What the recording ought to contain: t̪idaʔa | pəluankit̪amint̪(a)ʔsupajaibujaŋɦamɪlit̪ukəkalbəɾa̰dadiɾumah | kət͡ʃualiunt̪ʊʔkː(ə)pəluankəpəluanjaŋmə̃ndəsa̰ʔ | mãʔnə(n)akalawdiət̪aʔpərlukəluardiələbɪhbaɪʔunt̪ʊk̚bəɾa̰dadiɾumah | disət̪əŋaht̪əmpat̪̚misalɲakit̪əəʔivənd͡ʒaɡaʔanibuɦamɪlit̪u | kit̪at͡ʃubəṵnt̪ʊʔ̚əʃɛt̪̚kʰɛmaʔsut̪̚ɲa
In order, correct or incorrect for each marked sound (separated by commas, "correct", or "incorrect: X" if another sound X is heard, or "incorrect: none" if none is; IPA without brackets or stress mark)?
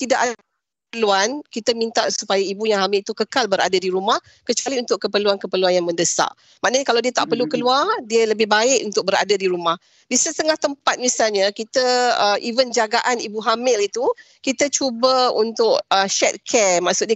correct, correct, incorrect: ɲ